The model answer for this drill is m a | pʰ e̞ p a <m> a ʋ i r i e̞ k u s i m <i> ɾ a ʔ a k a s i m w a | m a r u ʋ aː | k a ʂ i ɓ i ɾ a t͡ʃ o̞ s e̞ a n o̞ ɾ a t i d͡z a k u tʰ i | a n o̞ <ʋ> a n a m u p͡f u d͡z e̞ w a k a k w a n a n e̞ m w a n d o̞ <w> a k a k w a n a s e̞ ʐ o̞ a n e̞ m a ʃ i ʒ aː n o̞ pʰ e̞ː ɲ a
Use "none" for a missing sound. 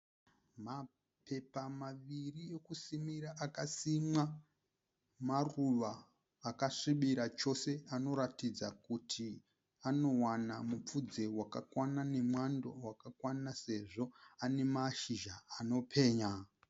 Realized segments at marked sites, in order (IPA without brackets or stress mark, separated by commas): m, i, w, w